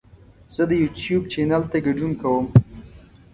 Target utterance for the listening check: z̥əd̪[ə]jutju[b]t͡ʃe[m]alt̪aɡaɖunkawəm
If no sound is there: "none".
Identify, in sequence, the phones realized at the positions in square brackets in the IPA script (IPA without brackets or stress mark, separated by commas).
ə, b, n